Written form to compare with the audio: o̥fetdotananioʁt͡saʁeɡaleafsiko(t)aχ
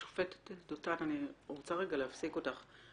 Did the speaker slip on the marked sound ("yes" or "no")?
no